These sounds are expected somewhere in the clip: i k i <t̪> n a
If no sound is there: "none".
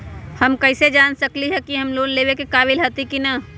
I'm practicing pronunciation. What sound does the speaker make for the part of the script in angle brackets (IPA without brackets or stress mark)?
none